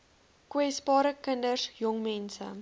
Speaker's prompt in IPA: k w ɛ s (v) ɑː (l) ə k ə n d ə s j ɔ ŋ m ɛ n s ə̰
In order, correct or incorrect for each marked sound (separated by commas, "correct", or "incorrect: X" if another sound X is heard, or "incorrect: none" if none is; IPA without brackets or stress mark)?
incorrect: b, incorrect: ɾ